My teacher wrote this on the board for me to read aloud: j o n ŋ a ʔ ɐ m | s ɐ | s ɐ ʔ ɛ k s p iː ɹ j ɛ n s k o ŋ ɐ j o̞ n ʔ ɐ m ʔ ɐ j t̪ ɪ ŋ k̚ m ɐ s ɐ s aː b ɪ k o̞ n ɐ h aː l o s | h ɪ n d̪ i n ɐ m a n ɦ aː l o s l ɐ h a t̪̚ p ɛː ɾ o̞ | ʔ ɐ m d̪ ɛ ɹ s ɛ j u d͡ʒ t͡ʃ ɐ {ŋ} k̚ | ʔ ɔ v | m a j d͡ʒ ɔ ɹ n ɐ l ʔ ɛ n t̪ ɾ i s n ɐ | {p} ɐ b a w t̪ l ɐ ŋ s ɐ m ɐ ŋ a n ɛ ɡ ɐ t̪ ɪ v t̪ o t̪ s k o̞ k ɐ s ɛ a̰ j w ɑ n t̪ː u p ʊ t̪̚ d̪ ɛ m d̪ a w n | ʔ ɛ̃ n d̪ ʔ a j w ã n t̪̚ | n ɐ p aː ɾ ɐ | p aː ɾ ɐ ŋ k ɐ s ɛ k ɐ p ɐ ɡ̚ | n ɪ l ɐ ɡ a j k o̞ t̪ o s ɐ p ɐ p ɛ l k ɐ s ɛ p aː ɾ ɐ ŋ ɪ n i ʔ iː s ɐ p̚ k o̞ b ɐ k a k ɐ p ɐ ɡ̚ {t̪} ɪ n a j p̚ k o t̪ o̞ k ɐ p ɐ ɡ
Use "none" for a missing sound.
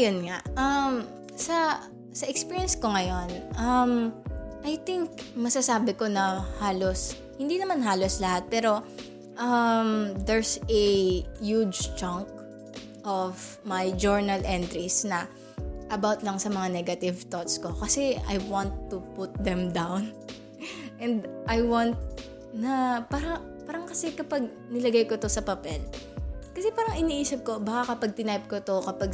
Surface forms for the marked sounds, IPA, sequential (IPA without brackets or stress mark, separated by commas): ŋ, ʔ, t̪